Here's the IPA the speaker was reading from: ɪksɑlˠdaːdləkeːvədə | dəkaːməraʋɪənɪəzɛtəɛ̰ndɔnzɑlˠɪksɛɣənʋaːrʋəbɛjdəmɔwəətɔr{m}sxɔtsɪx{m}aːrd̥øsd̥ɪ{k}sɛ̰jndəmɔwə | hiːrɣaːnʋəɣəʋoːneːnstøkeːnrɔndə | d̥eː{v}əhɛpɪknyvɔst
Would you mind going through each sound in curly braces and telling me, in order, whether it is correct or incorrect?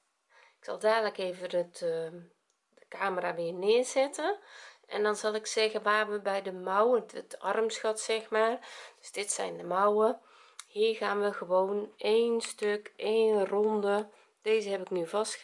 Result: correct, correct, incorrect: t, incorrect: z

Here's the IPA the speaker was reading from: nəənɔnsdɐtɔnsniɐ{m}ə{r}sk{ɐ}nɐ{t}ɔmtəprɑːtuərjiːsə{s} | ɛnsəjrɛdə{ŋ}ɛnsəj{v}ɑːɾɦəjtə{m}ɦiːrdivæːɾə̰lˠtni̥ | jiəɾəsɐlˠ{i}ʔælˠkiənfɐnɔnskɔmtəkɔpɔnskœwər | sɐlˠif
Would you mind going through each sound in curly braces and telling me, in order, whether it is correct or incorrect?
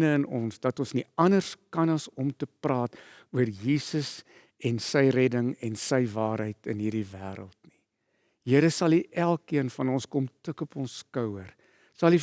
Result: incorrect: n, correct, correct, incorrect: s, correct, correct, correct, incorrect: n, correct

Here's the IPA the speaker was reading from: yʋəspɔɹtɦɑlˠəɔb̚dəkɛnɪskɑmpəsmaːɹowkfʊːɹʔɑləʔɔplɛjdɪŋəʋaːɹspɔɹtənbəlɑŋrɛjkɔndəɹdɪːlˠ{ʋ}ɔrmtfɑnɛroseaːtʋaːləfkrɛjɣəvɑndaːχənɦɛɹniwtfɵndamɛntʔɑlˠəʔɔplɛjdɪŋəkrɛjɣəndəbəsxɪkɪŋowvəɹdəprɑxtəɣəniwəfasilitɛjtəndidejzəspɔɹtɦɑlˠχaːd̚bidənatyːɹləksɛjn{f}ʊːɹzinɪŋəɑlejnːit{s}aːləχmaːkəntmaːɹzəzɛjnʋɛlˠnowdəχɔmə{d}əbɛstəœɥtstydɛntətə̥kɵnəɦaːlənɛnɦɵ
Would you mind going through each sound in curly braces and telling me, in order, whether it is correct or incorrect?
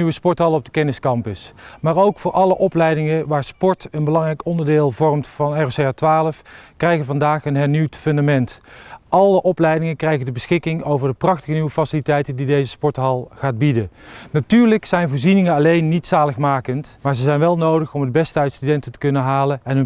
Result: incorrect: v, incorrect: v, correct, correct

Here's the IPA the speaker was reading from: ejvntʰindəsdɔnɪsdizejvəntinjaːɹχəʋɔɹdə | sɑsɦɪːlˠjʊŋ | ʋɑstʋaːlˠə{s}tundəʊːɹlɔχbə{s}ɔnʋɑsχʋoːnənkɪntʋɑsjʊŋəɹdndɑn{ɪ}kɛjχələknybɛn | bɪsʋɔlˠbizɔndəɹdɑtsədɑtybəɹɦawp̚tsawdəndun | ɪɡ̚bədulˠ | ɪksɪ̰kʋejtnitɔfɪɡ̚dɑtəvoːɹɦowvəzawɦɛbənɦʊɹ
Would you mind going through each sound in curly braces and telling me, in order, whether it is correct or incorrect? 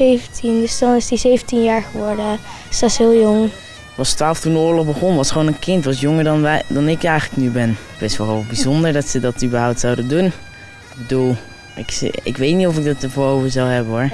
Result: incorrect: f, incorrect: χ, correct

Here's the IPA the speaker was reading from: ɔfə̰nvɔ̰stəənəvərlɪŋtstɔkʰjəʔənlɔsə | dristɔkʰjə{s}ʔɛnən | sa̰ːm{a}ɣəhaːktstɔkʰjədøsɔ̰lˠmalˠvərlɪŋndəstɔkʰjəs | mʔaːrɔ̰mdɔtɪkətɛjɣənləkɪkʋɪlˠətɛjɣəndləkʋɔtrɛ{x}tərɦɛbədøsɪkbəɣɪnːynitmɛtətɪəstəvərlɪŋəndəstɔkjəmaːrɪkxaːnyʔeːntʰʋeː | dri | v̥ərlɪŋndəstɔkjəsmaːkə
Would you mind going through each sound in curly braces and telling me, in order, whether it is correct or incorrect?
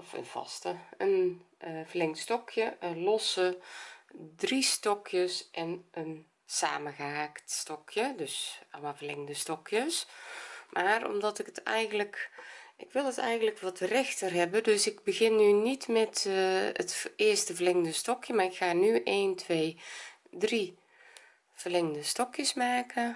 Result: correct, incorrect: ə, correct

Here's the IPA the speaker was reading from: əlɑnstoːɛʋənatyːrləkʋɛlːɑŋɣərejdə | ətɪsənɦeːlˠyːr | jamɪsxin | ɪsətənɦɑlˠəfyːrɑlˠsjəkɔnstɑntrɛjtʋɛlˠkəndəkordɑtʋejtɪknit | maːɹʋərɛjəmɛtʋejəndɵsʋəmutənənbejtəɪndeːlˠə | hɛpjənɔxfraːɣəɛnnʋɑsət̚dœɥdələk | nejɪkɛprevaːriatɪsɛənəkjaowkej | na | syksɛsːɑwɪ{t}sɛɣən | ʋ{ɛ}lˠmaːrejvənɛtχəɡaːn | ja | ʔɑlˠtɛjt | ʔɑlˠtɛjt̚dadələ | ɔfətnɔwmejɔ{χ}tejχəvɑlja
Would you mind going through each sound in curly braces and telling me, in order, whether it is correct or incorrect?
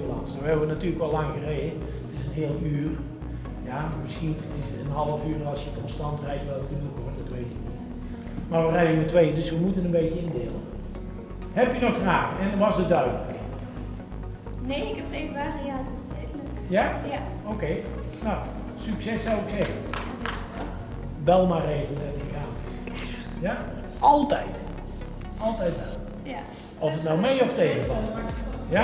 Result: incorrect: k, correct, incorrect: f

